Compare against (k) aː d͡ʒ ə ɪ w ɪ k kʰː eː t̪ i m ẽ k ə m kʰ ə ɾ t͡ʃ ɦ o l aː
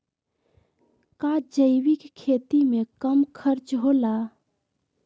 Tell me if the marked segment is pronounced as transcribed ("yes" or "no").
yes